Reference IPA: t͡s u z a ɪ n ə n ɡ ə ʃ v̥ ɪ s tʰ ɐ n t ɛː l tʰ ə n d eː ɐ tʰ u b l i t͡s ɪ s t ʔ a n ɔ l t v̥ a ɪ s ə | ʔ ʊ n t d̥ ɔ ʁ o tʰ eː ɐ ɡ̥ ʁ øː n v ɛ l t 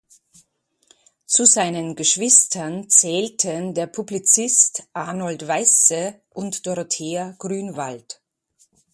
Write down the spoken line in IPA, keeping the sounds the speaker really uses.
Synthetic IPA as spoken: t͡s u z a ɪ n ə n ɡ ə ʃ v̥ ɪ s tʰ ɐ n t͡s ɛː l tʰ ə n d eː ɐ pʰ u b l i t͡s ɪ s t ʔ a n ɔ l t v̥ a ɪ s ə | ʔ ʊ n t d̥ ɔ ʁ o tʰ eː ɐ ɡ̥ ʁ yː n v a l t

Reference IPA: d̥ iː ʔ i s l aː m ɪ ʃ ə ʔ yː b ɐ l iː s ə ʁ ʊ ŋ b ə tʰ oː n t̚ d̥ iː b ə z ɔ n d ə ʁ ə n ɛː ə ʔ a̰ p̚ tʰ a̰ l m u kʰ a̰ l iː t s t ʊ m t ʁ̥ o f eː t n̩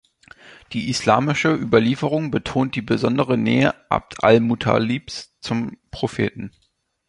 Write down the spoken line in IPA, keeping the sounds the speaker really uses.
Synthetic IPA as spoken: d̥ iː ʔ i s l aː m ɪ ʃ ə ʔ yː b ɐ l iː f ə ʁ ʊ ŋ b ə tʰ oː n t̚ d̥ iː b ə z ɔ n d ə ʁ ə n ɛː ə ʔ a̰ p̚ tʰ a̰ l m u tʰ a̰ l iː p s t͡s ʊ m p ʁ̥ o f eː t n̩

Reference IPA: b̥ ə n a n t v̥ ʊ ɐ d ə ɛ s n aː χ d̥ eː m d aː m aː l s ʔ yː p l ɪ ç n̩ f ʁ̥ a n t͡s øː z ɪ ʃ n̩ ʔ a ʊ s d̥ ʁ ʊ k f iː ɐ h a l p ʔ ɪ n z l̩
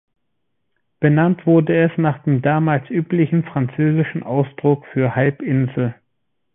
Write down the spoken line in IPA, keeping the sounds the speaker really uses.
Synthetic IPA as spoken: b̥ ə n a n t v̥ ʊ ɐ d ə ɛ s n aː χ d̥ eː m d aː m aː l s ʔ yː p l ɪ ç n̩ f ʁ̥ a n t͡s øː z ɪ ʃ n̩ ʔ a ʊ s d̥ ʁ ʊ k f yː ɐ h a l p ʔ ɪ n z l̩

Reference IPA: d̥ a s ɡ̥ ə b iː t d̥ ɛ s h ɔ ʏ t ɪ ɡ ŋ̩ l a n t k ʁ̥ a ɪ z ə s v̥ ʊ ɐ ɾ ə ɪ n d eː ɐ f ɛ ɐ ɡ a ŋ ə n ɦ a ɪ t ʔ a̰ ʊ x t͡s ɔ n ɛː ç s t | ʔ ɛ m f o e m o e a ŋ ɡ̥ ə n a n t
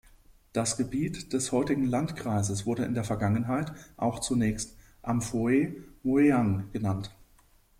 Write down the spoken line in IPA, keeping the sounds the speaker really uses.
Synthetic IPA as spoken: d̥ a s ɡ̥ ə b iː t d̥ ɛ s h ɔ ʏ t ɪ ɡ ŋ̩ l a n t k ʁ̥ a ɪ z ə s v̥ ʊ ɐ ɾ ə ɪ n d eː ɐ f ɛ ɐ ɡ a ŋ ə n ɦ a ɪ t ʔ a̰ ʊ x t͡s u n ɛː ç s t | ʔ a m f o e m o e a ŋ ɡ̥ ə n a n t

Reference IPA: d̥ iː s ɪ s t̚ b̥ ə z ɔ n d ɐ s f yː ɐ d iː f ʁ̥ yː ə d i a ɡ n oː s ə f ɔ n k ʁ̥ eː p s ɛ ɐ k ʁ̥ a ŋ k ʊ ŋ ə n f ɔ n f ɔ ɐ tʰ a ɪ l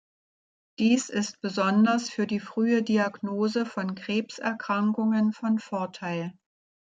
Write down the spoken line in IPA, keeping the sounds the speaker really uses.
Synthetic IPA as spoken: d̥ iː s ɪ s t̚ b̥ ə z ɔ n d ɐ s f yː ɐ d iː f ʁ̥ yː ə d i a ɡ n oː z ə f ɔ n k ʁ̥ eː p s ɛ ɐ k ʁ̥ a ŋ k ʊ ŋ ə n f ɔ n f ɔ ɐ tʰ a ɪ l

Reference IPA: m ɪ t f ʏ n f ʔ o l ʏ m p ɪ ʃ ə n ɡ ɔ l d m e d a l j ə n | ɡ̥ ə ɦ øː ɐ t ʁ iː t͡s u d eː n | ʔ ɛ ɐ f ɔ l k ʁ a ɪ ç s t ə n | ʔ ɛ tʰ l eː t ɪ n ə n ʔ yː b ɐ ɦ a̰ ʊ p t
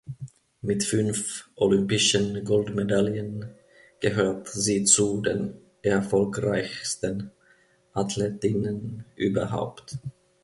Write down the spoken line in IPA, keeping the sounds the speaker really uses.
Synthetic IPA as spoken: m ɪ t f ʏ n f ʔ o l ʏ m p ɪ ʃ ə n ɡ ɔ l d m e d a l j ə n | ɡ̥ ə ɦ øː ɐ t z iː t͡s u d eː n | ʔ ɛ ɐ f ɔ l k ʁ a ɪ ç s t ə n | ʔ a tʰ l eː t ɪ n ə n ʔ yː b ɐ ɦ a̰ ʊ p t

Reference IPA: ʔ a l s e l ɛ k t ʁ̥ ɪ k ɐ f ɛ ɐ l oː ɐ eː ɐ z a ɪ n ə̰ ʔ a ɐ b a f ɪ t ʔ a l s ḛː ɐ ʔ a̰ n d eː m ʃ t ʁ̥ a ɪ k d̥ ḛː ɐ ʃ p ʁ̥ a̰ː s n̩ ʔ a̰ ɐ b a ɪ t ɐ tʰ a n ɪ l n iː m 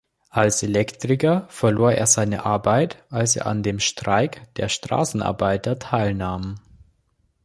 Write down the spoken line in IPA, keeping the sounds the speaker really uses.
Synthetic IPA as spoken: ʔ a l s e l ɛ k t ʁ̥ ɪ k ɐ f ɛ ɐ l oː ɐ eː ɐ z a ɪ n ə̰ ʔ a ɐ b a ɪ t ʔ a l s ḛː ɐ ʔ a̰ n d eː m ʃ t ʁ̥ a ɪ k d̥ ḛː ɐ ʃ t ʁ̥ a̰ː s n̩ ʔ a̰ ɐ b a ɪ t ɐ tʰ a ɪ l n aː m

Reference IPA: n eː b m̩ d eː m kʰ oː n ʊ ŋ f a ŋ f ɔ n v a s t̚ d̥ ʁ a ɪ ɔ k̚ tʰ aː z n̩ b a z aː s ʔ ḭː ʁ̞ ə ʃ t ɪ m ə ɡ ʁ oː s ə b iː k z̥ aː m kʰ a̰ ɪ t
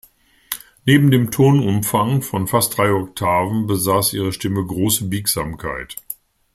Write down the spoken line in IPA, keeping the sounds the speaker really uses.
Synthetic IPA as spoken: n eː b m̩ d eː m tʰ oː n ʊ m f a ŋ f ɔ n f a s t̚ d̥ ʁ a ɪ ɔ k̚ tʰ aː v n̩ b ə z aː s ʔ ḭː ʁ̞ ə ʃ t ɪ m ə ɡ ʁ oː s ə b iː k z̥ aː m kʰ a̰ ɪ t

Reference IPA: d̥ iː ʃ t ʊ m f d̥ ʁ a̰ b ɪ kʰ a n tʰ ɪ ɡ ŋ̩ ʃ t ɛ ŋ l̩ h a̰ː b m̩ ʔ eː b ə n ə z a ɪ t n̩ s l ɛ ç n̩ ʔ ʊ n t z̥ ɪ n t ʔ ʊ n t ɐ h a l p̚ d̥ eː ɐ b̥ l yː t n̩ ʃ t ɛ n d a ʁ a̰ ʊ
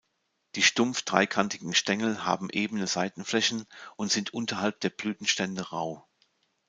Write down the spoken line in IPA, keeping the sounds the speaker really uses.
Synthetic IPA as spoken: d̥ iː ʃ t ʊ m f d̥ ʁ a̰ ɪ kʰ a n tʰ ɪ ɡ ŋ̩ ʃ t ɛ ŋ l̩ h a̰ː b m̩ ʔ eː b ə n ə z a ɪ t n̩ f l ɛ ç n̩ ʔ ʊ n t z̥ ɪ n t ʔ ʊ n t ɐ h a l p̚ d̥ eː ɐ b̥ l yː t n̩ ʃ t ɛ n d ə ʁ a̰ ʊ

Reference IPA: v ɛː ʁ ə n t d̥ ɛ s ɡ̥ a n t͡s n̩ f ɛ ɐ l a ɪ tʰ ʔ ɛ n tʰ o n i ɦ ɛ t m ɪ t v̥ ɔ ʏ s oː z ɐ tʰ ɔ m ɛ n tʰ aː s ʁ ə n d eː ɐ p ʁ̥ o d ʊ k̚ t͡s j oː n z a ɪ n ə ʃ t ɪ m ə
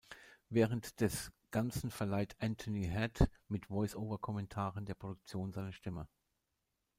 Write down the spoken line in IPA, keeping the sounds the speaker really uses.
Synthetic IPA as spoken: v ɛː ʁ ə n t d̥ ɛ s ɡ̥ a n t͡s n̩ f ɛ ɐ l a ɪ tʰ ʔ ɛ n tʰ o n i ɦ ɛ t m ɪ t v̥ ɔ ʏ s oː v ɐ kʰ ɔ m ɛ n tʰ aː ʁ ə n d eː ɐ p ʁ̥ o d ʊ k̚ t͡s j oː n z a ɪ n ə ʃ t ɪ m ə

